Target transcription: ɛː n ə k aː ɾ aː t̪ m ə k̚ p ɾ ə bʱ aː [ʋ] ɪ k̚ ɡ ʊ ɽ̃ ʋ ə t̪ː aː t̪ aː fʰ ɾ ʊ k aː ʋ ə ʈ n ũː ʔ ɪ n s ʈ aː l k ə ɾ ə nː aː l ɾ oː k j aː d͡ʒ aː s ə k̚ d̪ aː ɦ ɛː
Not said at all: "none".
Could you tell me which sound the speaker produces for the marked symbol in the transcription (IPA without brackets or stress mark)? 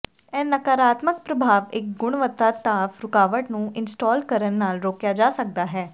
ʋ